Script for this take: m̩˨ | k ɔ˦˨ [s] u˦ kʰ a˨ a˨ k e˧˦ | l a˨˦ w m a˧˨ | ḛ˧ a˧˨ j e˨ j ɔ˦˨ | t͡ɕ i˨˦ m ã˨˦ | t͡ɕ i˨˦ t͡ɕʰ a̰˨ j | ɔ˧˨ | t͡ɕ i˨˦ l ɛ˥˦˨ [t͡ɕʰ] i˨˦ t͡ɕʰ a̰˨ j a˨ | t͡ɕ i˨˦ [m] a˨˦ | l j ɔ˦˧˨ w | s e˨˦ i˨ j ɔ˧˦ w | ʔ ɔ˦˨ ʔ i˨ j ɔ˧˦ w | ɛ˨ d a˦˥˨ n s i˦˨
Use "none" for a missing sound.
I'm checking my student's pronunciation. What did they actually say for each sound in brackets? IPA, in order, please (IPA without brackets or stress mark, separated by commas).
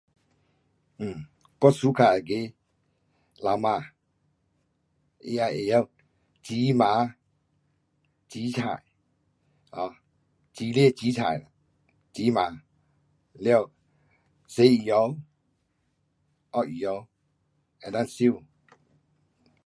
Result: s, t͡ɕ, m